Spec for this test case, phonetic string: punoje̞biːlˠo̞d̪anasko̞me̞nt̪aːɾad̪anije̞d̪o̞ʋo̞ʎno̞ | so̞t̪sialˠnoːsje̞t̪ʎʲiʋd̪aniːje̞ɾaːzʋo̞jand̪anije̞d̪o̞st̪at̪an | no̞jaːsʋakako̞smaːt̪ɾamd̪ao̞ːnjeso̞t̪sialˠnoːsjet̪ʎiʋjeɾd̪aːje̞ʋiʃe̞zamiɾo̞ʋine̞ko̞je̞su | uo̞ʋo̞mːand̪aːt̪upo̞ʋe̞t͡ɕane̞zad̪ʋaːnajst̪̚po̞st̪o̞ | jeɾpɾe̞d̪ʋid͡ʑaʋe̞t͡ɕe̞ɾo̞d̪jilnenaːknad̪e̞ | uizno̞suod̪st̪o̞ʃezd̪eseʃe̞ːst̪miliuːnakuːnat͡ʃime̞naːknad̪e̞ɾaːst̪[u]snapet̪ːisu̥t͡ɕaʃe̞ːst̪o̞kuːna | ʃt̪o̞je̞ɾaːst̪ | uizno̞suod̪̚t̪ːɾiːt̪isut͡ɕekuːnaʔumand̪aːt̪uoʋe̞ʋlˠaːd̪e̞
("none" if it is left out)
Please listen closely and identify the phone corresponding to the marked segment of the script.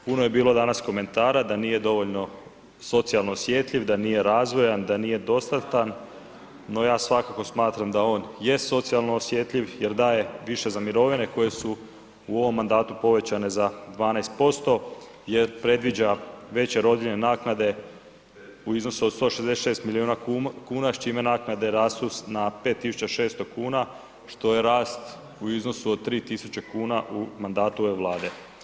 u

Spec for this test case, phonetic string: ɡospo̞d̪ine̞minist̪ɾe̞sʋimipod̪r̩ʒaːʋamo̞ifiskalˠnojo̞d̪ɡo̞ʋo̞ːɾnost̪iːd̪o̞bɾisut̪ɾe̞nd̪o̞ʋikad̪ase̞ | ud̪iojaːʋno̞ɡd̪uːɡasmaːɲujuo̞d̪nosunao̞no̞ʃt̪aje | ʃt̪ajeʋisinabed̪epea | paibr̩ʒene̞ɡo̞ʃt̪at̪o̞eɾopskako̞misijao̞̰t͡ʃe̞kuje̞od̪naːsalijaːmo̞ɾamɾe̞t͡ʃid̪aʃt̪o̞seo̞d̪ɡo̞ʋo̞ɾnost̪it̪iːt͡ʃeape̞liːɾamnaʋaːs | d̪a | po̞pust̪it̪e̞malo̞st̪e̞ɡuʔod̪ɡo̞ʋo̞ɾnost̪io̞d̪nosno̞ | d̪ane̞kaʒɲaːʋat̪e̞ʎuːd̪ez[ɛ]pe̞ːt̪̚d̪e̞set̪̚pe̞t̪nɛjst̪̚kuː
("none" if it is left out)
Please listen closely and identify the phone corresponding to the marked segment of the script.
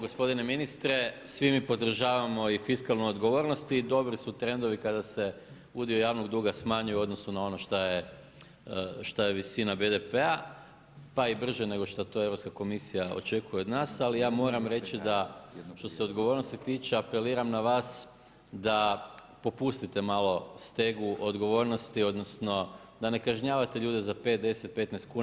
a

